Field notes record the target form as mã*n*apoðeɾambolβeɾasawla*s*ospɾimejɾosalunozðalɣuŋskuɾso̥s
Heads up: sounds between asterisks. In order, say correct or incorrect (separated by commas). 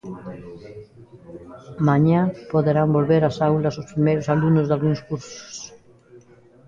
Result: incorrect, correct